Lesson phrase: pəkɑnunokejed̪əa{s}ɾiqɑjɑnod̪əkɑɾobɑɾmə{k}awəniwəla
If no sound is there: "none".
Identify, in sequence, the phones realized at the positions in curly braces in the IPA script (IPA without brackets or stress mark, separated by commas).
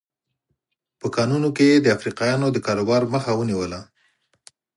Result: f, x